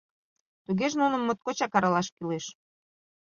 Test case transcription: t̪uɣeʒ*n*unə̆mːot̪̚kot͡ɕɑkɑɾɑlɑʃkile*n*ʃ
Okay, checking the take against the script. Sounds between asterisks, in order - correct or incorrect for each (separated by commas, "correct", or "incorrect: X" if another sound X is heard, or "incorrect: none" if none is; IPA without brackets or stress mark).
correct, incorrect: none